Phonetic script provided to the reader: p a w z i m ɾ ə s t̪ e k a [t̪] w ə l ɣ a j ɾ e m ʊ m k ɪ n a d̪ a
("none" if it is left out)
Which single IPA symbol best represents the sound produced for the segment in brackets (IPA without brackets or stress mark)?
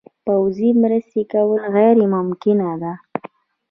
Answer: none